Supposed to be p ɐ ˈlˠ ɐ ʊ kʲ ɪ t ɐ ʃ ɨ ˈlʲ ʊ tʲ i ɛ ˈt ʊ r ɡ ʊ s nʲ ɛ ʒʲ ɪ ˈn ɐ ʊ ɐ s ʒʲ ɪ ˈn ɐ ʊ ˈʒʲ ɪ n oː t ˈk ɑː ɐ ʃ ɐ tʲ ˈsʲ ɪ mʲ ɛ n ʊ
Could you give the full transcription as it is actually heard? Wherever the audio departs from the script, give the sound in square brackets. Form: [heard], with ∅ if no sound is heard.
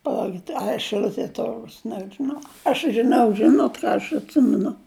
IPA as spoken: p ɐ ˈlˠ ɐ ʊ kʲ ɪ t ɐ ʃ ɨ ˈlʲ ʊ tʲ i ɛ ˈt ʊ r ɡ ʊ s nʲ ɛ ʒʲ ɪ ˈn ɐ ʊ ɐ [ʃ] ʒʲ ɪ ˈn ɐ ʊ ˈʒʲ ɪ n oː t ˈk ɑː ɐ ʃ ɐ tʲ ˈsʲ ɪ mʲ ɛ n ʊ